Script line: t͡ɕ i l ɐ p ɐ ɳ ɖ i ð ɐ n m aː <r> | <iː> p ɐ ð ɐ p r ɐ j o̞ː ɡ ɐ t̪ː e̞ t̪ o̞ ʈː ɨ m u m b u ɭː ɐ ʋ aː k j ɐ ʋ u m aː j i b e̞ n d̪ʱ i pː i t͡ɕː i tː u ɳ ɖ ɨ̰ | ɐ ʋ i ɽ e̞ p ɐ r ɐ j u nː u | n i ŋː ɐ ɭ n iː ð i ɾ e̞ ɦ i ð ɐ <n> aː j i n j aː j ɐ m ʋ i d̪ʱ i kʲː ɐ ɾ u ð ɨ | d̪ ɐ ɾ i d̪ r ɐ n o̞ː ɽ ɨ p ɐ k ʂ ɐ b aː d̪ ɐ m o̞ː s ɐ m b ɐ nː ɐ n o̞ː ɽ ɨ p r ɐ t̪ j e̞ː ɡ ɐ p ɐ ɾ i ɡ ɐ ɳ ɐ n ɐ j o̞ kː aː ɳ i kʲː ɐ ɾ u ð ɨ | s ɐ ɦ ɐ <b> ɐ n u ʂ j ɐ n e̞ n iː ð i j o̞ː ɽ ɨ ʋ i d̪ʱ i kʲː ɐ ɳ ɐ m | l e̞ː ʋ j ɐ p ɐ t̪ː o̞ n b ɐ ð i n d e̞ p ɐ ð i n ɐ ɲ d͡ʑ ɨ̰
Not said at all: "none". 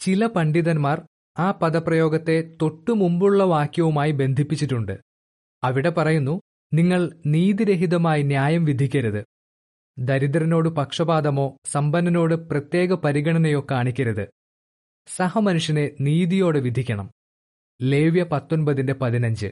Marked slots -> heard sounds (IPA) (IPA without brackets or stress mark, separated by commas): r, aː, m, m